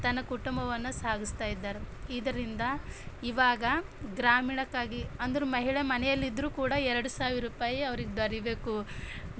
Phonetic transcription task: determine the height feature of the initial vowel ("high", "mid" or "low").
low